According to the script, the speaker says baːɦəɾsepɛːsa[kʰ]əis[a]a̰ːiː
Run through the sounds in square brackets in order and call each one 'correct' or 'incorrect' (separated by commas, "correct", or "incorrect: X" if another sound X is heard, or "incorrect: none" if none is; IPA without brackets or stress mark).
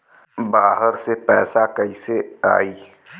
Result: incorrect: k, incorrect: e